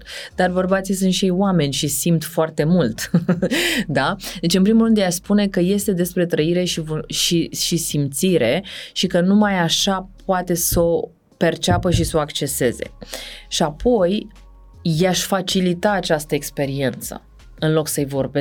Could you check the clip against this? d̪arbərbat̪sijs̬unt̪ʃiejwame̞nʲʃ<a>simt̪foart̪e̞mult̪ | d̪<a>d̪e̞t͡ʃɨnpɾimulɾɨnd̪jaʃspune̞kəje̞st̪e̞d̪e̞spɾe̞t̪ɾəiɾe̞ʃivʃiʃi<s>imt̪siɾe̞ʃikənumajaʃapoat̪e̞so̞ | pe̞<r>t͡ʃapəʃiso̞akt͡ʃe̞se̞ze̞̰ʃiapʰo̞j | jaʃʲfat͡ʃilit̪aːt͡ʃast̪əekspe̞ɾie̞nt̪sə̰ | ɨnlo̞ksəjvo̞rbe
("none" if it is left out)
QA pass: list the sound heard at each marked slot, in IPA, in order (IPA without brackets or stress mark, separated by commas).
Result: i, a, s, r